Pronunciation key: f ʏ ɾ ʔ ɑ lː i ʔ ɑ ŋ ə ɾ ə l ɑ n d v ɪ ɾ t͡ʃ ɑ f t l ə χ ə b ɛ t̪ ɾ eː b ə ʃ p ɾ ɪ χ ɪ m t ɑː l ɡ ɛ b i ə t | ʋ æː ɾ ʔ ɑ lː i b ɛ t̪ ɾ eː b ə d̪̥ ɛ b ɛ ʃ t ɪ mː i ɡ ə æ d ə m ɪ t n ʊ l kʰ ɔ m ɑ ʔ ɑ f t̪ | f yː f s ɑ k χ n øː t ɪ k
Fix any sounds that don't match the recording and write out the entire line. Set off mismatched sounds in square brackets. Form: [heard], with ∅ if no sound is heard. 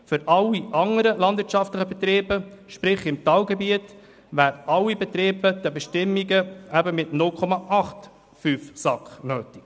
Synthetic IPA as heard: f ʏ ɾ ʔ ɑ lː i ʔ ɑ ŋ ə ɾ ə l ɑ n d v ɪ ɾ t͡ʃ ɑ f t l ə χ ə b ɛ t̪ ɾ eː b ə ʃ p ɾ ɪ χ ɪ m t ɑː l ɡ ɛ b i ə t | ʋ æː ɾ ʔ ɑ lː i b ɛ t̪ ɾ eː b ə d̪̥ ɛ b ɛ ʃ t ɪ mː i ɡ ə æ [b] ə m ɪ t n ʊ l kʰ ɔ m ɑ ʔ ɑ [χ] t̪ | f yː f s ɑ k χ n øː t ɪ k

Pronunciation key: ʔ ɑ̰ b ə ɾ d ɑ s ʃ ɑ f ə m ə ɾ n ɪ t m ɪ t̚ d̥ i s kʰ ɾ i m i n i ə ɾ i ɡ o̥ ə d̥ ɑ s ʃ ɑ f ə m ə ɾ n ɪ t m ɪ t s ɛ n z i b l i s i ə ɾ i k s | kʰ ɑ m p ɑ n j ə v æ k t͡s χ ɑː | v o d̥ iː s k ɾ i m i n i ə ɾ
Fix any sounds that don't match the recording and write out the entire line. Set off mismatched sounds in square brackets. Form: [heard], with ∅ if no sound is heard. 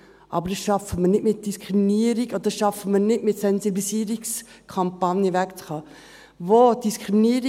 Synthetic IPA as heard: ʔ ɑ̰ b ə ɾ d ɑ s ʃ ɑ f ə m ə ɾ n ɪ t m ɪ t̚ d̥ i s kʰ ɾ i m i n i ə ɾ i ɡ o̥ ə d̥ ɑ s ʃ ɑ f ə m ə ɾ n ɪ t m ɪ t s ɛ n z i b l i s i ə ɾ i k s | kʰ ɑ m p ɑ n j ə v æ k t͡s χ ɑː | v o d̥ [i] s k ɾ i m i n i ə ɾ

